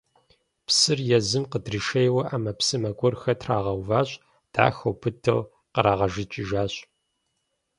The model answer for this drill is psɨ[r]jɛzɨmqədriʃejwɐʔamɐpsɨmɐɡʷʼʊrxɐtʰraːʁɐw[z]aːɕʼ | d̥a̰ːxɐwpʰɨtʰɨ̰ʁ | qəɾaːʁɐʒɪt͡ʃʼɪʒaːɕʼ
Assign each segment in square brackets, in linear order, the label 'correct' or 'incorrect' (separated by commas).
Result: correct, incorrect